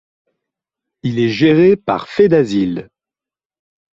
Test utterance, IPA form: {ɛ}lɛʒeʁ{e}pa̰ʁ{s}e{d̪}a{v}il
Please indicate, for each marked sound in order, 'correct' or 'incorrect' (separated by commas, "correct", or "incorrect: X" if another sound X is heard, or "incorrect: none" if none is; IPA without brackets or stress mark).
incorrect: i, correct, incorrect: f, correct, incorrect: z